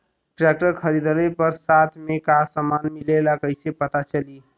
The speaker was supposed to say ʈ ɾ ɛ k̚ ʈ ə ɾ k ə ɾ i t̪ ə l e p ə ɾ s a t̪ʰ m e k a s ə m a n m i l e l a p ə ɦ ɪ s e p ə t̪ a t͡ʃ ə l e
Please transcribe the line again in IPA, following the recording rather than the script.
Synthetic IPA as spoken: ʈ ɾ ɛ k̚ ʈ ə ɾ kʰ ə ɾ i d̪ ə l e p ə ɾ s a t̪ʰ m e k a s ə m a n m i l e l a k ə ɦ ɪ s e p ə t̪ a t͡ʃ ə l i